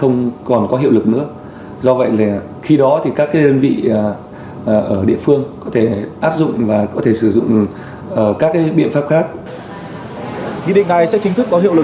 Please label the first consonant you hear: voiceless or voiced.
voiceless